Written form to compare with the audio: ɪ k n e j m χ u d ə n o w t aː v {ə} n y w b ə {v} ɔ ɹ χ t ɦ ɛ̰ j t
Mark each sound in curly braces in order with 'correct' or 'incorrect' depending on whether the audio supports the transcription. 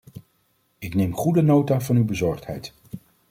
incorrect: ɑ, incorrect: z

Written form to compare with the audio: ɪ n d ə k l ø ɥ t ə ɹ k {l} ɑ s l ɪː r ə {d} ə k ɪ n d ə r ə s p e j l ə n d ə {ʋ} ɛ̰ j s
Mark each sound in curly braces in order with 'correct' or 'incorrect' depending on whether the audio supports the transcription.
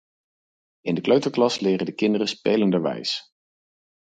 correct, correct, correct

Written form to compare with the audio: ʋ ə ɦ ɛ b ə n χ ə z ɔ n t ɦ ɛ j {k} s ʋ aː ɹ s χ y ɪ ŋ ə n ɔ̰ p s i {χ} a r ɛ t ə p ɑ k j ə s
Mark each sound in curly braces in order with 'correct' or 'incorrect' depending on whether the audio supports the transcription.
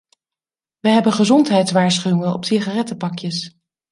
incorrect: t, correct

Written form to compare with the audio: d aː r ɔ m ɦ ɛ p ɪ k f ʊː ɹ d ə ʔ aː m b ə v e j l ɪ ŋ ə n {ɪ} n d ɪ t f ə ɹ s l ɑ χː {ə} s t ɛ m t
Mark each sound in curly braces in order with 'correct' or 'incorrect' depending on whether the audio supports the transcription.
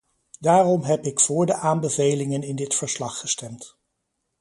correct, correct

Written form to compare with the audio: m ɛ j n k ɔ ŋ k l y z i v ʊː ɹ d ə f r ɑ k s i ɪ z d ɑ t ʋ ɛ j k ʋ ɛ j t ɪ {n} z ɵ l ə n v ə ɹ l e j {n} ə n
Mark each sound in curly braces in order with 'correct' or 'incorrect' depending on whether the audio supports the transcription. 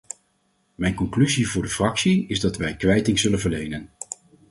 incorrect: ŋ, correct

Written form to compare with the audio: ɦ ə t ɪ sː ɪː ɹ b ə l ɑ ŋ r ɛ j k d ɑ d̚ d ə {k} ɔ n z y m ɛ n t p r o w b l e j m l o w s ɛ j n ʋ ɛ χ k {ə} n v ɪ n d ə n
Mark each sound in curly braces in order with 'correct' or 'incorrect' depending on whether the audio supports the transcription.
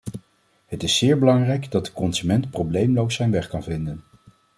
correct, incorrect: ɑ

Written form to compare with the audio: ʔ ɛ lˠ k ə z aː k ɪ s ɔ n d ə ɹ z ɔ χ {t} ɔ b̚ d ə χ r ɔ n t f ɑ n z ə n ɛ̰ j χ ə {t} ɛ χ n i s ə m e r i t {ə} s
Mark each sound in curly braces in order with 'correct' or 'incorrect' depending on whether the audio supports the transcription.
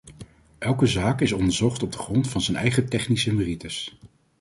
correct, correct, correct

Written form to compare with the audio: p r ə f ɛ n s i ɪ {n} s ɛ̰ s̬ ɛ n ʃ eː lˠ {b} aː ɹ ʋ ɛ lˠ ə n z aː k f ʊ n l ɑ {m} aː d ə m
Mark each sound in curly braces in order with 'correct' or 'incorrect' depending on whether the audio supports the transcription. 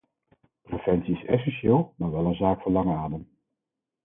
incorrect: none, incorrect: m, incorrect: ŋ

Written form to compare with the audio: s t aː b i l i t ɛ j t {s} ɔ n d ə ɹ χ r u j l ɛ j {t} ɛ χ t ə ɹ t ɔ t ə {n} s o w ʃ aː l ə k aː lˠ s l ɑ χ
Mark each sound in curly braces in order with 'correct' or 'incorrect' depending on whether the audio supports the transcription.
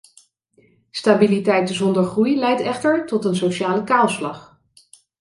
incorrect: z, correct, correct

